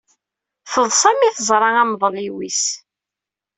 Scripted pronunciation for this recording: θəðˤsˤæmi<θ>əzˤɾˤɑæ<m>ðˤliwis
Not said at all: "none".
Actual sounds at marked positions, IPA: θ, m

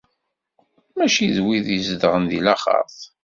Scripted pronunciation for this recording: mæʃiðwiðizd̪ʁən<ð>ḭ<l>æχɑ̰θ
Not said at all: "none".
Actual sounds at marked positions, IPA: ð, l

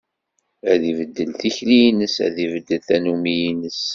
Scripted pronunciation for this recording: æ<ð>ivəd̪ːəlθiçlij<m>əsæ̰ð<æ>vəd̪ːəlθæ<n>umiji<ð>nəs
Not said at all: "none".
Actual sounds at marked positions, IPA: ð, n, i, n, none

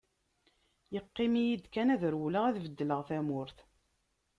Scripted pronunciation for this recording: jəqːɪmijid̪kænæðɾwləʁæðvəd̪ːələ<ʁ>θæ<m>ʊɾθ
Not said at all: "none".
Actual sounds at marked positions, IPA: ʁ, m

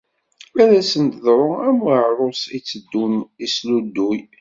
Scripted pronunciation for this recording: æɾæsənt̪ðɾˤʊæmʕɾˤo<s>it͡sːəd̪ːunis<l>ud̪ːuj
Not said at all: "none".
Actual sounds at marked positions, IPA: s, l

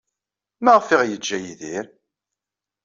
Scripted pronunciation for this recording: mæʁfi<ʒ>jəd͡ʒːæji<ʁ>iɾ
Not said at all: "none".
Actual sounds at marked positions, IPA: ʁ, ð

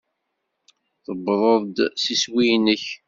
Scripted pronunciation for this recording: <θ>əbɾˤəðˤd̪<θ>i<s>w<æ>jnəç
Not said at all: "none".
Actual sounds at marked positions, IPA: θ, s, s, i

